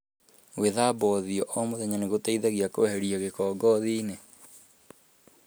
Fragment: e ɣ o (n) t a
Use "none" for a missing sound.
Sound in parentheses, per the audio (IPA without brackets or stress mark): none